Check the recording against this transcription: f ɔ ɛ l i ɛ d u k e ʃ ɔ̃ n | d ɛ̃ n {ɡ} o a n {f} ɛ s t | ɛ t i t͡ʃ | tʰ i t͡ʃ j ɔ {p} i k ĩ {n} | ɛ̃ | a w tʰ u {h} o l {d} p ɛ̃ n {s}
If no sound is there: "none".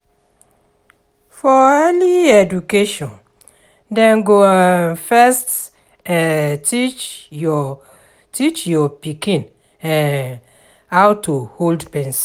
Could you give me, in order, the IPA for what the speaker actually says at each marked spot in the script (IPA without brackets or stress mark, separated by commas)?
ɡ, f, p, n, h, d, s